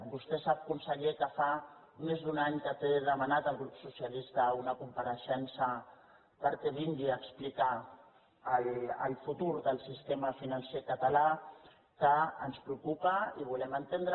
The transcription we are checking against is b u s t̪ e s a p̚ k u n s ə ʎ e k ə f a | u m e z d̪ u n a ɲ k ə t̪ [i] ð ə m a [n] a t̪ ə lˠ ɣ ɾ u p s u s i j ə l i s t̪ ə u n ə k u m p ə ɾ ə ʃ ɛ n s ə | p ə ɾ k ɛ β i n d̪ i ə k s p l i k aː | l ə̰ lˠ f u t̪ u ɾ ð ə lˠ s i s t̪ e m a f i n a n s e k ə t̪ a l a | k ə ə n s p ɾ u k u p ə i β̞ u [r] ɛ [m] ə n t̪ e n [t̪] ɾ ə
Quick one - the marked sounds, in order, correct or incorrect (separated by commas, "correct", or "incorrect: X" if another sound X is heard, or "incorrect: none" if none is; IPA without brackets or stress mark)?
incorrect: e, correct, incorrect: l, correct, incorrect: d̪